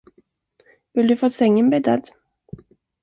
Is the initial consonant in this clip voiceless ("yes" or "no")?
no